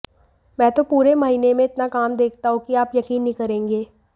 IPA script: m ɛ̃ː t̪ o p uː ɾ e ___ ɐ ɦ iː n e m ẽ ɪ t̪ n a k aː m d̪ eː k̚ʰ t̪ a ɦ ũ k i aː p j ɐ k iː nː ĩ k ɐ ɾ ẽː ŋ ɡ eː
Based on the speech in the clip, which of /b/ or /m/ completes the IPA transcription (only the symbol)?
m